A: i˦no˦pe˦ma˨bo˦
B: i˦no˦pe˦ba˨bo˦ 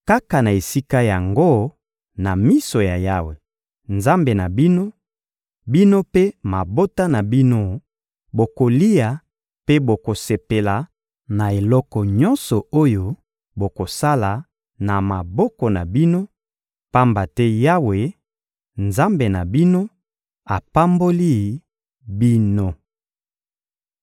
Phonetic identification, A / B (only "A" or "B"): A